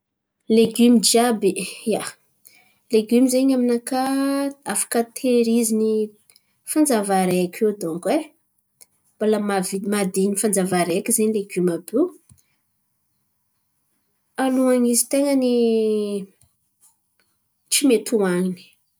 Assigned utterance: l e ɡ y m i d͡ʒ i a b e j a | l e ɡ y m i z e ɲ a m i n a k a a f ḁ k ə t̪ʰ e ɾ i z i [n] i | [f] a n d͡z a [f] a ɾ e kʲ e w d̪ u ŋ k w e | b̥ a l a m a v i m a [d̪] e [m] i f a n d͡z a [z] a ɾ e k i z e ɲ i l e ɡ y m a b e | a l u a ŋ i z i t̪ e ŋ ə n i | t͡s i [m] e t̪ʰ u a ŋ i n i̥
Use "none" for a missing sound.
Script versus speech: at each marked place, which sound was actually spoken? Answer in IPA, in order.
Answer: n, f, v, d̪, n, v, m

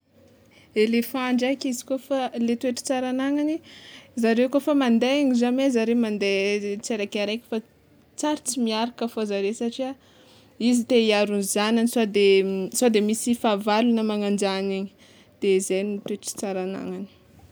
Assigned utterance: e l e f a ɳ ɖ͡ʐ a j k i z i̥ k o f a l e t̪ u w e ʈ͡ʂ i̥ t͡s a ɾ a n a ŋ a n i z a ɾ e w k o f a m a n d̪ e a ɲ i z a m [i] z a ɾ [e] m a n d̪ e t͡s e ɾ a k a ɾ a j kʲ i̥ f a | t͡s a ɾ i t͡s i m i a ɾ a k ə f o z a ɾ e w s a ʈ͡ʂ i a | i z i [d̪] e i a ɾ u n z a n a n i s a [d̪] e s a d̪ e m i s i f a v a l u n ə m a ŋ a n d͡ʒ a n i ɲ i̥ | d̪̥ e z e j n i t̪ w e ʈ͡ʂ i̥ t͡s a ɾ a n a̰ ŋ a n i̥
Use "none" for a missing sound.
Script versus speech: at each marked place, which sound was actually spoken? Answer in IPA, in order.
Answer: e, e, t̪, d̪

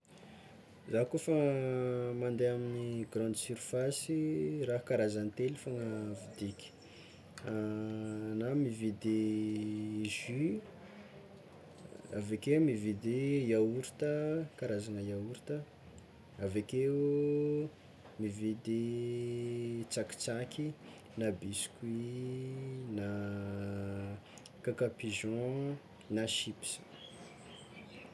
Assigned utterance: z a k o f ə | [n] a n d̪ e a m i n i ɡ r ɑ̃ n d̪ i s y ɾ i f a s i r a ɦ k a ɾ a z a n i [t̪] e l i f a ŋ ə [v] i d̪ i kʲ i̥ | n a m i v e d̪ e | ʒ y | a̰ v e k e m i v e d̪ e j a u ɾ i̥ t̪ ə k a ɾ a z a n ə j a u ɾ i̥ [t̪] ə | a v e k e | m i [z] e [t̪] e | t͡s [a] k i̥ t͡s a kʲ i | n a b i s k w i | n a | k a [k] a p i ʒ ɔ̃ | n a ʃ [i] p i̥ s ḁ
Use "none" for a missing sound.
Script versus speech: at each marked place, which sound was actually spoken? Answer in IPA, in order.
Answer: m, t̪, v, t̪, v, d̪, a, k, i

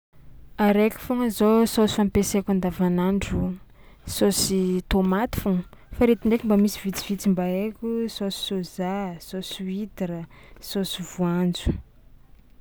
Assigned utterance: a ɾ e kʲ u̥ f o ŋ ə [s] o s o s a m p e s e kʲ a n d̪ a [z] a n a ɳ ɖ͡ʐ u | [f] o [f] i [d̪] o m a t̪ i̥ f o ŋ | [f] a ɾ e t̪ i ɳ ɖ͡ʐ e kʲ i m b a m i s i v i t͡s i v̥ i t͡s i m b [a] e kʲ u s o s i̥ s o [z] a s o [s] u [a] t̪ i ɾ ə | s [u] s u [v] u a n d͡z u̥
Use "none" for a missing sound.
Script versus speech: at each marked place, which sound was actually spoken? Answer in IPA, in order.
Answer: z, v, s, s, t̪, f, a, z, s, i, o, v

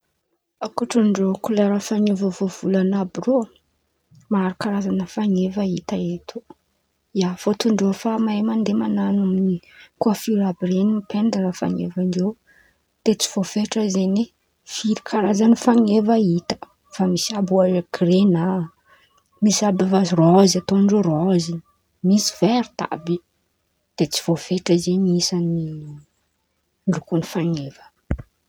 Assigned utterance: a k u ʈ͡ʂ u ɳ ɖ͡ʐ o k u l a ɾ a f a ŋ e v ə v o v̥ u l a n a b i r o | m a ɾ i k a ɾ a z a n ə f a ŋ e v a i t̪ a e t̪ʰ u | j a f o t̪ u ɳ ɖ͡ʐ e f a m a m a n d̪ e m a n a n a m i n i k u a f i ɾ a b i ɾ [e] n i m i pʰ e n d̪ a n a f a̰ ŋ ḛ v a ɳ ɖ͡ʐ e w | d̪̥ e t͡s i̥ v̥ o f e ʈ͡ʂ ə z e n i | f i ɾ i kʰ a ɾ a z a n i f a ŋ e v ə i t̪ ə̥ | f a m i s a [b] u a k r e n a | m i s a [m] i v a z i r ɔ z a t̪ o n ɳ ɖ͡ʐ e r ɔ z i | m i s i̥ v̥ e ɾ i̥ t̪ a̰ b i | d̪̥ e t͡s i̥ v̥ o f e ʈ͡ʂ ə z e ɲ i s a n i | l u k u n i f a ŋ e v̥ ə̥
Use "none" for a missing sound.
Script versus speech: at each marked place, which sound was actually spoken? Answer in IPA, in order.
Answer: e, b, b

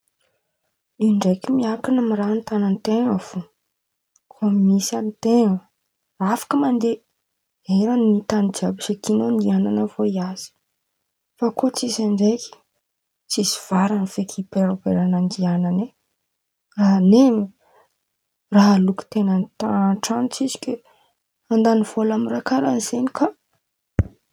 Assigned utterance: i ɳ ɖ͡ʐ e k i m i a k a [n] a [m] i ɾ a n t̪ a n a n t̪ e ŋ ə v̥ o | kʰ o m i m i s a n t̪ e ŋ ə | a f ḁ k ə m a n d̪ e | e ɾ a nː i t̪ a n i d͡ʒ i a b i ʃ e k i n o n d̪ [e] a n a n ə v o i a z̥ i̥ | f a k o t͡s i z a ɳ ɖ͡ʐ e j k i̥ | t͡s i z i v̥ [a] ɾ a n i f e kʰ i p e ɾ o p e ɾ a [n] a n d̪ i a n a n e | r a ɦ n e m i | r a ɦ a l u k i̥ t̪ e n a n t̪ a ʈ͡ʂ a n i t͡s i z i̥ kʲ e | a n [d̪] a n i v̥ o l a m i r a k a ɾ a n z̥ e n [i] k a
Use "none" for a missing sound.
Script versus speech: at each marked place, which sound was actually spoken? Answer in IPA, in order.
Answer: n, m, i, a, n, d̪, i

